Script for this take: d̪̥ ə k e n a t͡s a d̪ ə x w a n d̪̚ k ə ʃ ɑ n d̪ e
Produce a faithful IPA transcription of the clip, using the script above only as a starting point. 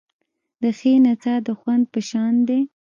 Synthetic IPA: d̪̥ ə x e n a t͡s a d̪ ə x w a n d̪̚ p ə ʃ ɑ n d̪ e